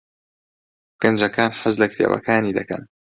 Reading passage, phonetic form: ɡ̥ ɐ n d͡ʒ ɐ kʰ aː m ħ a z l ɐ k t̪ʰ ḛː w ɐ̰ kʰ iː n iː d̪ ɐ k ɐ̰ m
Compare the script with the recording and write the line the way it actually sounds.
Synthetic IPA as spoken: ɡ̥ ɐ n d͡ʒ ɐ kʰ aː n ħ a z l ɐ k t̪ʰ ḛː w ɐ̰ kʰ aː n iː d̪ ɐ k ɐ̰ n

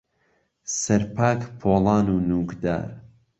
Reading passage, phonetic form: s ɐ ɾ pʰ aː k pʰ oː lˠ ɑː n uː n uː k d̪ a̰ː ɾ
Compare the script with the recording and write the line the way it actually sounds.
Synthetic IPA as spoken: s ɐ ɾ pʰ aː k pʰ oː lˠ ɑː n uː n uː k d̪ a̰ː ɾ

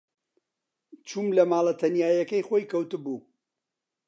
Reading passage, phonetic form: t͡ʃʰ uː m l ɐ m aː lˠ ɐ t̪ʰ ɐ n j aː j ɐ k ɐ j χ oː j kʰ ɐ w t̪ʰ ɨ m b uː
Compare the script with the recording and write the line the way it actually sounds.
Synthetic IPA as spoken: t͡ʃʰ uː m l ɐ m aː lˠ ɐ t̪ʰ ɐ n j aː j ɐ k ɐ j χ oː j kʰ ɐ w t̪ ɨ b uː

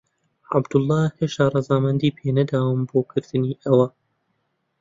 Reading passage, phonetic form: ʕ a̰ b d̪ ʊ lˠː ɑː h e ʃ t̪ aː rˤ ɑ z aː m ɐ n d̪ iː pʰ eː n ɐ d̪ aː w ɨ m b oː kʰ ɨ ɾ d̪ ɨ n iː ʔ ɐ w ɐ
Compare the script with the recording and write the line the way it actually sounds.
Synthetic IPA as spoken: ʕ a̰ b d̪ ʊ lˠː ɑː h e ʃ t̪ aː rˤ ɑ z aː m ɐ n d̪ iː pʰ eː n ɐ d̪ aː w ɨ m b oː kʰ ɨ ɾ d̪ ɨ n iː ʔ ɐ w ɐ

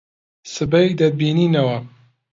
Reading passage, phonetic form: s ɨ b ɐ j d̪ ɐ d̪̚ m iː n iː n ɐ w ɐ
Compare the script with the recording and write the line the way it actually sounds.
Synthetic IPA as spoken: s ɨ b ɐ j d̪ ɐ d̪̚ b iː n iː n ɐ w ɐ

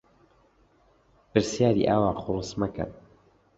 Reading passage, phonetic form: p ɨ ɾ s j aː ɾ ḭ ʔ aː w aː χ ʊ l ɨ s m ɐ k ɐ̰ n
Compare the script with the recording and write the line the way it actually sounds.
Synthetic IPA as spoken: p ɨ ɾ s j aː ɾ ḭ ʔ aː w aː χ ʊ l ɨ s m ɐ k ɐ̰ n

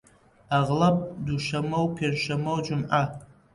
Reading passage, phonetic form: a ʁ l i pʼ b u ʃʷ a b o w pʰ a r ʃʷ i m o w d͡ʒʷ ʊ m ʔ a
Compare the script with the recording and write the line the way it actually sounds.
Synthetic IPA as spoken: a ʁ l a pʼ d u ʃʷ a m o w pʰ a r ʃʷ a m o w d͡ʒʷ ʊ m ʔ a

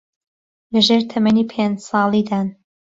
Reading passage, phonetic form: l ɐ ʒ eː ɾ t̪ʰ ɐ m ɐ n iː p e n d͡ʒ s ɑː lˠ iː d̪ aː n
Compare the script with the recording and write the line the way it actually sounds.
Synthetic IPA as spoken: l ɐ ʒ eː ɾ t̪ʰ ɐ m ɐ n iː pʰ e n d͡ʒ s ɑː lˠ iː d̪ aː n

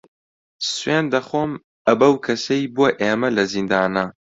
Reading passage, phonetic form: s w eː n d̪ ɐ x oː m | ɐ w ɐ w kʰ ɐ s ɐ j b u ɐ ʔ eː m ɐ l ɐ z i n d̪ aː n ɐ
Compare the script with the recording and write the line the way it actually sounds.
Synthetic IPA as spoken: s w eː n d̪ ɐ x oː m | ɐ b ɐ w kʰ ɐ s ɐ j b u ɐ ʔ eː m ɐ l ɐ z i n d̪ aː n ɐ

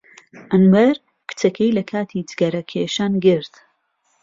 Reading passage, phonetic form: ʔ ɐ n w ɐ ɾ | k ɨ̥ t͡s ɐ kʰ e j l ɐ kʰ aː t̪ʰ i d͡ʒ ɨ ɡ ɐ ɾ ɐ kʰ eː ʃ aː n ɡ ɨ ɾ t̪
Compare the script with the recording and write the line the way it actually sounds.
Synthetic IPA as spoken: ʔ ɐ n w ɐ ɾ | k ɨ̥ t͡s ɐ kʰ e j l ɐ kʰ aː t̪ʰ i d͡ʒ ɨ ɡ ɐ ɾ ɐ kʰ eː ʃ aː n ɡ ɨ ɾ t̪

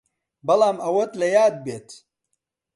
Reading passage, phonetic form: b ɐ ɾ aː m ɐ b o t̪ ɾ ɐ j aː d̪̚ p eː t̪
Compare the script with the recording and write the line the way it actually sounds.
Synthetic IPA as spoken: b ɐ l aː m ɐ w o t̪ l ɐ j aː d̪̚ b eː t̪

